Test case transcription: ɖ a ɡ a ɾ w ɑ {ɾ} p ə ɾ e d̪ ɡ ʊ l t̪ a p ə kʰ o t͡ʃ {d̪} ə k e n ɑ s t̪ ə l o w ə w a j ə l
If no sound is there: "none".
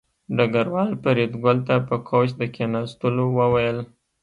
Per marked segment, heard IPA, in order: l, d̪

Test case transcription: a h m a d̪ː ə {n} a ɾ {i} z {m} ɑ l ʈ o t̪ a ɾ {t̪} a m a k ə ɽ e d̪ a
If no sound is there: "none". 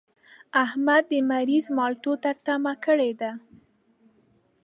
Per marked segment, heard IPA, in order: m, i, m, t̪

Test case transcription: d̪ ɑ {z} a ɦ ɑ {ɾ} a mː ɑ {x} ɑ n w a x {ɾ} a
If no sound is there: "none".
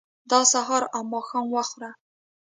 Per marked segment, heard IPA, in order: s, ɾ, x, ɾ

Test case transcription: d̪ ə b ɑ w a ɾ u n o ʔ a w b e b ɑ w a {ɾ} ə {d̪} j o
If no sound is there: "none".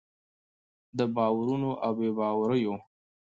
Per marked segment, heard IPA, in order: ɾ, none

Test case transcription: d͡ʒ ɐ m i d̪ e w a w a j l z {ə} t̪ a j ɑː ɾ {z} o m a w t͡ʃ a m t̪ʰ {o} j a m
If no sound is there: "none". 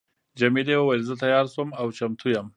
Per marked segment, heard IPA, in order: ə, s, u

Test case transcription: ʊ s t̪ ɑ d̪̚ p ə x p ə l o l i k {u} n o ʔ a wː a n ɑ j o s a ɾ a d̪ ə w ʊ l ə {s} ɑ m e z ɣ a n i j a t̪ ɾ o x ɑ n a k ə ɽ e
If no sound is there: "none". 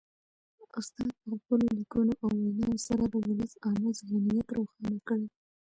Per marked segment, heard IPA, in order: u, s

